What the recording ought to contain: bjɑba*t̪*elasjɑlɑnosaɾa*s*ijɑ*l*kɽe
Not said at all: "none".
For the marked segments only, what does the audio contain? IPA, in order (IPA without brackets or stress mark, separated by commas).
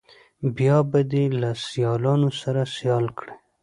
d̪, s, l